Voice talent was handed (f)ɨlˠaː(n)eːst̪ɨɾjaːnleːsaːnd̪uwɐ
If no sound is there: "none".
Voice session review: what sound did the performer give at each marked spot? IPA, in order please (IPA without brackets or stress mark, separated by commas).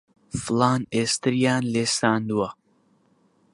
f, n